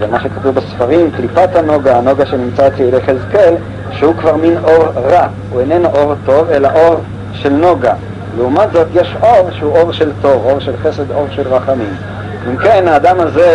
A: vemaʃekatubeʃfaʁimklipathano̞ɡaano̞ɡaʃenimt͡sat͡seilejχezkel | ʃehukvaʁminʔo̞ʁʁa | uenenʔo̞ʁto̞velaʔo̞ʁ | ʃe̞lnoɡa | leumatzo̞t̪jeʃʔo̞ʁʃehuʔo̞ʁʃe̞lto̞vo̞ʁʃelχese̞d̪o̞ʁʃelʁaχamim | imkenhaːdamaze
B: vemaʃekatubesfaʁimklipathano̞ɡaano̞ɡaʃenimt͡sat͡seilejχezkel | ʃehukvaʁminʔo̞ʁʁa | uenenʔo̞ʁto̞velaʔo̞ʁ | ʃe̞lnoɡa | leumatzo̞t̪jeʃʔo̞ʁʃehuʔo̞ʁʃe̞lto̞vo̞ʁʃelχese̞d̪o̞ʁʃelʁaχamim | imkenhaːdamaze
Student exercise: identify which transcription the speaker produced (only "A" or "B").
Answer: B